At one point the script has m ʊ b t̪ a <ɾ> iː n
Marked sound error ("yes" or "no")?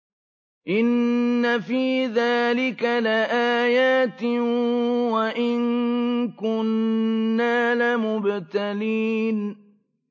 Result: yes